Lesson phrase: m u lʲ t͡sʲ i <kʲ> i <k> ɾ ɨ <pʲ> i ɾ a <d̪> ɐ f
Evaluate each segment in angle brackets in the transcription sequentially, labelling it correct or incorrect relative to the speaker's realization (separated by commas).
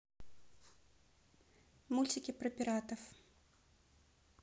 correct, incorrect, correct, incorrect